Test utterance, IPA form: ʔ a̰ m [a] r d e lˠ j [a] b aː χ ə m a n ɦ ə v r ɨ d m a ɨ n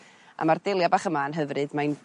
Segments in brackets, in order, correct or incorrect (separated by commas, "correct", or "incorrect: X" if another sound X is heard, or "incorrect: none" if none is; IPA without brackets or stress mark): correct, correct